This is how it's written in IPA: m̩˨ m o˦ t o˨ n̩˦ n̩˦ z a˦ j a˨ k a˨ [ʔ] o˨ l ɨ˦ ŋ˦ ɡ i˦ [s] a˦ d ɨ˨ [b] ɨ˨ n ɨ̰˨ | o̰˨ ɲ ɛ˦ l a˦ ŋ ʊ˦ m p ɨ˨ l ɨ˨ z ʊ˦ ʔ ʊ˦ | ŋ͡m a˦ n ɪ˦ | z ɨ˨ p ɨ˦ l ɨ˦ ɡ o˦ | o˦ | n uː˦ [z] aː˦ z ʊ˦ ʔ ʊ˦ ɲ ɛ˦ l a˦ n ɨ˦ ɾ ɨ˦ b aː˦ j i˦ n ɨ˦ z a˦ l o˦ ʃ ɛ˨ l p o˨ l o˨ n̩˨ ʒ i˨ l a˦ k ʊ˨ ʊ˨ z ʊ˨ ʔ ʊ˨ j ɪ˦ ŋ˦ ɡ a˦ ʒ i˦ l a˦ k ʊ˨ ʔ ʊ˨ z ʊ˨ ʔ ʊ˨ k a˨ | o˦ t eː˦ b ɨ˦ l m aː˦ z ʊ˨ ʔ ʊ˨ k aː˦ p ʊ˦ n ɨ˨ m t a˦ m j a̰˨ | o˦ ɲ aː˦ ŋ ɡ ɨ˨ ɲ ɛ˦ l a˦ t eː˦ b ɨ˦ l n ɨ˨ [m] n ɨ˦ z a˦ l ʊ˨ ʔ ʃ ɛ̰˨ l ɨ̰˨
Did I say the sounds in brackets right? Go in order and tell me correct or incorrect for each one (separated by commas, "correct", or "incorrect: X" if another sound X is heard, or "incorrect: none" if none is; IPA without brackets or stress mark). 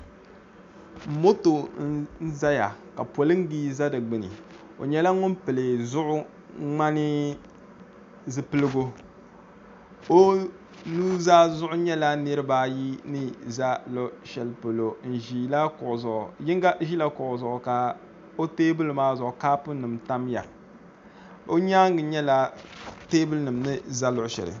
incorrect: p, incorrect: z, incorrect: ɡ͡b, correct, correct